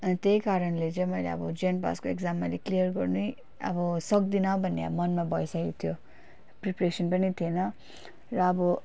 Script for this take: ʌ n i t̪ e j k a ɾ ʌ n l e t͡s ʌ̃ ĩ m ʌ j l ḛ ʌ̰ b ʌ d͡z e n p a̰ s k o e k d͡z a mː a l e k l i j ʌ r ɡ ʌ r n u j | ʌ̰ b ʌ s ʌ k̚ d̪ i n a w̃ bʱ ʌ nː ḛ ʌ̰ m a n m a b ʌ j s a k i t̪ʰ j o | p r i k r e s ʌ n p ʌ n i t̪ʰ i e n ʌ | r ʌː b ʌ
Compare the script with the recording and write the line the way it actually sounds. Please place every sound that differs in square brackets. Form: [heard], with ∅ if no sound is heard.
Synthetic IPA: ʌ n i t̪ e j k a ɾ ʌ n l e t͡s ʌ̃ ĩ m ʌ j l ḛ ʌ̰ b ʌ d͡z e n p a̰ s k o e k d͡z a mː a l e k l i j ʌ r ɡ ʌ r n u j | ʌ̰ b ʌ s ʌ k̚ d̪ i n a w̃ bʱ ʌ nː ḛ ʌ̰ m [ʌ] n m a b ʌ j s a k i t̪ʰ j o | p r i [p] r e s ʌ n p ʌ n i t̪ʰ i e n ʌ | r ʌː b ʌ